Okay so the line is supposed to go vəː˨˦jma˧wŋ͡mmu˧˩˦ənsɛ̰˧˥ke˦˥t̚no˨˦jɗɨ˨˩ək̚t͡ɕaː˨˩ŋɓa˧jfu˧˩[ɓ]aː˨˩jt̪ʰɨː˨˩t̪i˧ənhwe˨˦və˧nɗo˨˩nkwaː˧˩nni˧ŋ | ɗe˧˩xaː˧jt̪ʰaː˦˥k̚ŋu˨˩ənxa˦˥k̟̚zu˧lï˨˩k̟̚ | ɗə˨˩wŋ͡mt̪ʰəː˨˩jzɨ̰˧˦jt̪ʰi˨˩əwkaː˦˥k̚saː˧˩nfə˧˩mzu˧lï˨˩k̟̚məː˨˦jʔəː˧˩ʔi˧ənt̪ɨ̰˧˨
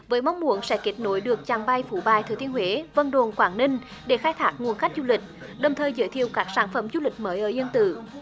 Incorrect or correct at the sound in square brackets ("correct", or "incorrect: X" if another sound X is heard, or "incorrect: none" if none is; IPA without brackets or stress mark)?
correct